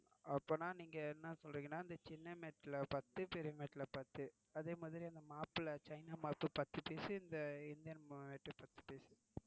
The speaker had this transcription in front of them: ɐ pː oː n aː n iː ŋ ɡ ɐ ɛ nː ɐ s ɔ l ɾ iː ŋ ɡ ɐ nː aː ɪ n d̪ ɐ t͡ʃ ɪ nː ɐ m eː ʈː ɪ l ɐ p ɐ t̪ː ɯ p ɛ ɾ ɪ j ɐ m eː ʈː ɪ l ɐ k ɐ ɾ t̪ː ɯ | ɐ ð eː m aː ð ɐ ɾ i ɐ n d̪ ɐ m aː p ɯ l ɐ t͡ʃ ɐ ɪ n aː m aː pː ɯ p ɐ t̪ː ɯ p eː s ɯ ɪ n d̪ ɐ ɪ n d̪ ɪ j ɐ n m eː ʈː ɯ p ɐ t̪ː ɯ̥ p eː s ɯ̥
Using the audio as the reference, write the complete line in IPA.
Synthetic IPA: ɐ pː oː n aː n iː ŋ ɡ ɐ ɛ nː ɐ s ɔ l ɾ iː ŋ ɡ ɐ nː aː ɪ n d̪ ɐ t͡ʃ ɪ nː ɐ m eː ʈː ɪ l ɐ p ɐ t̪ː ɯ p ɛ ɾ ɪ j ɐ m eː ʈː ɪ l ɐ p ɐ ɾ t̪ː ɯ | ɐ ð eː m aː ð ɐ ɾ i ɐ n d̪ ɐ m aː p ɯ l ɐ t͡ʃ ɐ ɪ n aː m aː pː ɯ p ɐ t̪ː ɯ p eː s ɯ ɪ n d̪ ɐ ɪ n d̪ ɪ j ɐ n m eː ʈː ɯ p ɐ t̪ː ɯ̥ p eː s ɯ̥